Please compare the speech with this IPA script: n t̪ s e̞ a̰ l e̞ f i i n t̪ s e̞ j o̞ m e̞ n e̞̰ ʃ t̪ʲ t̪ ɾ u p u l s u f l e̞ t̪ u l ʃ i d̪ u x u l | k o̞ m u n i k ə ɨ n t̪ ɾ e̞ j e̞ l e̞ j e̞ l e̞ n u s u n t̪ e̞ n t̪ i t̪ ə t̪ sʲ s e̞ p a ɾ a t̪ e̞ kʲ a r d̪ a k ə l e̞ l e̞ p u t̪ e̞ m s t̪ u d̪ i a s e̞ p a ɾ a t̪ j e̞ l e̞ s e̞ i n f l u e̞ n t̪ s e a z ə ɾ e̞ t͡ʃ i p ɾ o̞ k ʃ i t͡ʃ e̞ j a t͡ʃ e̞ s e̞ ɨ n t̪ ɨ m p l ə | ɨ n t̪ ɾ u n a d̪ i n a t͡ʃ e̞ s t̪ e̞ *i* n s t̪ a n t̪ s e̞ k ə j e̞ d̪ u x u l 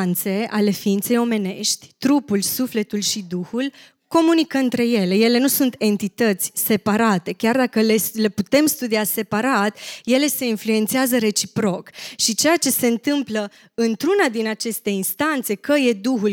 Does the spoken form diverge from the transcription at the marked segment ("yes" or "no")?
no